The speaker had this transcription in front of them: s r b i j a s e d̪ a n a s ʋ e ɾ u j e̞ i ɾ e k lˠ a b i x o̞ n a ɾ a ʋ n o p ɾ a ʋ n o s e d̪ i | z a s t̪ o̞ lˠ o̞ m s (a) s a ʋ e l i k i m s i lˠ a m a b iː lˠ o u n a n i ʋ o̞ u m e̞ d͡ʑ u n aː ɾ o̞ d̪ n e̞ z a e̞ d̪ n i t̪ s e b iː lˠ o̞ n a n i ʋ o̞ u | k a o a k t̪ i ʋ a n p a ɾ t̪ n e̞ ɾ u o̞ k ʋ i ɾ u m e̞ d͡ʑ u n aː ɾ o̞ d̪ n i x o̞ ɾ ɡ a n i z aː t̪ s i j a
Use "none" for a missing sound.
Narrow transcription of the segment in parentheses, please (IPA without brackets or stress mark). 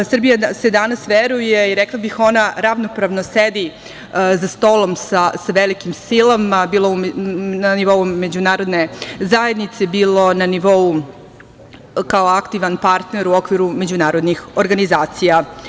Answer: a